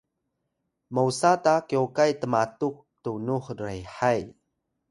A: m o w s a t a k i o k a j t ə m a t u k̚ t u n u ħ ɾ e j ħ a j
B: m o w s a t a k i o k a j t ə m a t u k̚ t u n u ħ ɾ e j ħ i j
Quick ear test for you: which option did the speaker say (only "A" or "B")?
A